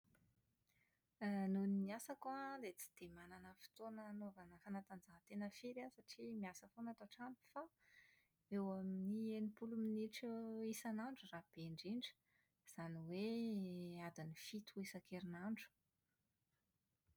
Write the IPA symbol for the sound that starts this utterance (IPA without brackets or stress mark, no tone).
n